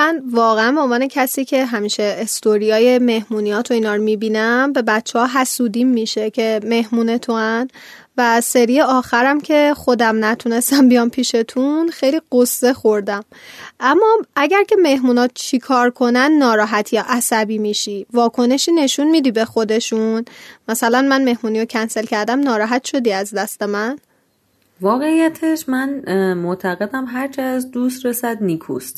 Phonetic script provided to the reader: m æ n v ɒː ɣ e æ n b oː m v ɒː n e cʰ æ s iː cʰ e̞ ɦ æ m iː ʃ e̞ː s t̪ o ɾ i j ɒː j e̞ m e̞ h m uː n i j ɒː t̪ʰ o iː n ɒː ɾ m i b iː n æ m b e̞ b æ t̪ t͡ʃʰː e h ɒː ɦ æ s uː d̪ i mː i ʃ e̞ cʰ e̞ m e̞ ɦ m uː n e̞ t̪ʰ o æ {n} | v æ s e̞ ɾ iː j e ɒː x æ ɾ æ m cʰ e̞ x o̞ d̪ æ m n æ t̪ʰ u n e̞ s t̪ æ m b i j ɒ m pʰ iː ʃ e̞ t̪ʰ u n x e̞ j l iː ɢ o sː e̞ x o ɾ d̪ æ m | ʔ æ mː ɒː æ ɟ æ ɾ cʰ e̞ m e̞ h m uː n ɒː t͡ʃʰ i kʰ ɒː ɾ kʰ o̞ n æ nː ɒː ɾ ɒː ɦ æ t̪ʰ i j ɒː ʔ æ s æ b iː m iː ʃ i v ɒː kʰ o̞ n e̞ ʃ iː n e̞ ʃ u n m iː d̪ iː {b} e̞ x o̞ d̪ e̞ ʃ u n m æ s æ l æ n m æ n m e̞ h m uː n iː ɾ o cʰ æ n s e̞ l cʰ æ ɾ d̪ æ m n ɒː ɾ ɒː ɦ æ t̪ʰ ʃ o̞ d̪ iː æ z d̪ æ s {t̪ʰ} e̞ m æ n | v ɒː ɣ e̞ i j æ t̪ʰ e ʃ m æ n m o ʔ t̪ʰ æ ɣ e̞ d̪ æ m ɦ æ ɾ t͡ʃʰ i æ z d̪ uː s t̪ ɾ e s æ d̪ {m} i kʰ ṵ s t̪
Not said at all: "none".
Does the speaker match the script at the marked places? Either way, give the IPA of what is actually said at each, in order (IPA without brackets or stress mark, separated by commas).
n, b, t̪, n